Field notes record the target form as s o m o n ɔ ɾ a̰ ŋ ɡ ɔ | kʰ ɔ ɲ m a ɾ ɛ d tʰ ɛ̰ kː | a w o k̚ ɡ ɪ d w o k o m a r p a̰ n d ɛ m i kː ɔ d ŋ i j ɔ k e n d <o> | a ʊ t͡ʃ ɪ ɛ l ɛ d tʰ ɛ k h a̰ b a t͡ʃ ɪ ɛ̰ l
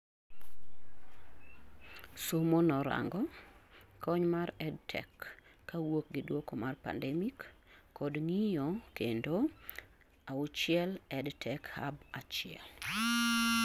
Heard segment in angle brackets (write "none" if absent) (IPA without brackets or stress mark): o